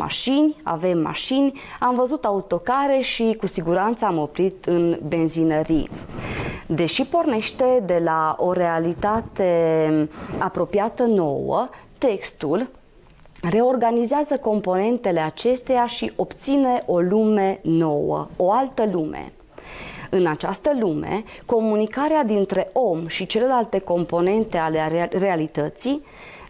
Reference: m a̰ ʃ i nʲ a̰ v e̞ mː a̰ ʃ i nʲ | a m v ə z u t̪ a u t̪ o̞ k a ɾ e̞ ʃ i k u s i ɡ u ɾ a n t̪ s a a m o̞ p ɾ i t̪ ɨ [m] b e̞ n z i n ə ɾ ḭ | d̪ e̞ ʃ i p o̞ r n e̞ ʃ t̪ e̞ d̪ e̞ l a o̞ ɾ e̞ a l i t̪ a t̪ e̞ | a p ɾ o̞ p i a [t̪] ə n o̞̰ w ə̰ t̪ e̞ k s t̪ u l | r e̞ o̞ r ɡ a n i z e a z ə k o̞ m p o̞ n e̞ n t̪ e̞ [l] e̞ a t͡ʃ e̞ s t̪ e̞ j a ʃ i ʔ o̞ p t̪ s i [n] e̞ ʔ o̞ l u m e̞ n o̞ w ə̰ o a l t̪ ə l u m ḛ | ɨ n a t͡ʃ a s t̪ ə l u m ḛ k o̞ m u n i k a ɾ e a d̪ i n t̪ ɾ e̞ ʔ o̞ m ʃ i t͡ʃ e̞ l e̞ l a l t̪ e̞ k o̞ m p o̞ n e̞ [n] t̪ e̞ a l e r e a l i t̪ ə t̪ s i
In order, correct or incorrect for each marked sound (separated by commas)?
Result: incorrect, correct, correct, correct, correct